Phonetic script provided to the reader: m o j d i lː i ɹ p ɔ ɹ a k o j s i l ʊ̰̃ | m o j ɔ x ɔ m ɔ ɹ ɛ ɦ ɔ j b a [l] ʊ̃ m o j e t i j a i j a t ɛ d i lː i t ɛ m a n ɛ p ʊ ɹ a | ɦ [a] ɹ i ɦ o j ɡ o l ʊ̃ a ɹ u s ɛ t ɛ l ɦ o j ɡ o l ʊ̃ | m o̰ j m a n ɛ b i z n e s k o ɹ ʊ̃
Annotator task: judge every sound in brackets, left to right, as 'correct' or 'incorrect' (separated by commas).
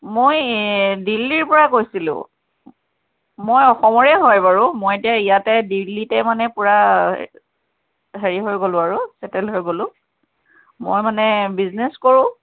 incorrect, incorrect